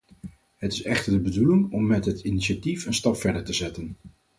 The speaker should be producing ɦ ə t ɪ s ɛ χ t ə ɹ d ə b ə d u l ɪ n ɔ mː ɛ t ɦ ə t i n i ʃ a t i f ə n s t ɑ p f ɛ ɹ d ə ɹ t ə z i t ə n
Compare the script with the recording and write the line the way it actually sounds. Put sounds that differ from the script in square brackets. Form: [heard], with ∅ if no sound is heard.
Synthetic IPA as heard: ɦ ə t ɪ s ɛ χ t ə ɹ d ə b ə d u l ɪ [ŋ] ɔ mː ɛ t ɦ ə t i n i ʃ a t i f ə n s t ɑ p f ɛ ɹ d ə ɹ t ə z [ɛ] t ə n